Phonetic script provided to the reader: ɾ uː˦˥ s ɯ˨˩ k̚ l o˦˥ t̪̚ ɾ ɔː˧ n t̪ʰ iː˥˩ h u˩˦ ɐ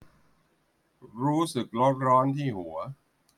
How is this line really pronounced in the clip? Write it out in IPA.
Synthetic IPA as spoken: ɾ uː˦˥ s ɯ˨˩ k̚ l o˦˥ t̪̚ ɾ ɔː˦˥ n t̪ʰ iː˥˩ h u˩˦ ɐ